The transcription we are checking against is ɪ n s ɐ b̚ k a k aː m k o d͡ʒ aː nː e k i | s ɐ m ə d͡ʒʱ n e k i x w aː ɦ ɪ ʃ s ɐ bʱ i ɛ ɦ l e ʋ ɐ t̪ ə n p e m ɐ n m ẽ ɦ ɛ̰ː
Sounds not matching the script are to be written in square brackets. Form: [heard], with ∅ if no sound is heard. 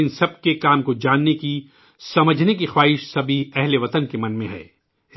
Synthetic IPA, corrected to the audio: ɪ n s ɐ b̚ k [e] k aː m k o d͡ʒ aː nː e k i | s ɐ m ə d͡ʒʱ n e k i x w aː ɦ ɪ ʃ s ɐ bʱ i ɛ ɦ l e ʋ ɐ t̪ ə n [k] e m ɐ n m ẽ ɦ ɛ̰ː

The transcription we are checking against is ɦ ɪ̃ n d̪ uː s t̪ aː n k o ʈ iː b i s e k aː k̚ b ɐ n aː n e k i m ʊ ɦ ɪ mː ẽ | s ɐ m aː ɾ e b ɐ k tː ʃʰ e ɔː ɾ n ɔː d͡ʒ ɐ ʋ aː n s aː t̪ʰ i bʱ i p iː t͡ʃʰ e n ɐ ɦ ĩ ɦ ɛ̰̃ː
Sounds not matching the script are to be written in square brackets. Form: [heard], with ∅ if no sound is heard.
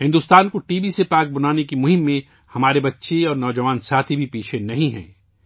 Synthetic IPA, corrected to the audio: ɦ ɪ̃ n d̪ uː s t̪ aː n k o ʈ iː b i s e [p] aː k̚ b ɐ n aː n e k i m ʊ ɦ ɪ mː ẽ | [h] ɐ m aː ɾ e b ɐ [∅] tː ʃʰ e ɔː ɾ n ɔː d͡ʒ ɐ ʋ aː n s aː t̪ʰ i bʱ i p iː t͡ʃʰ e n ɐ ɦ ĩ ɦ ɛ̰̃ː

